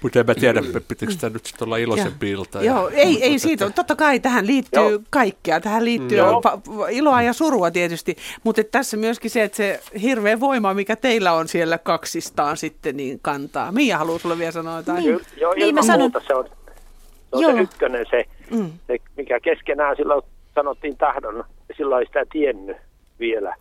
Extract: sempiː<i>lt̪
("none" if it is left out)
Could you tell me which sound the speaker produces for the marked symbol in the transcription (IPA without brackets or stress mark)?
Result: i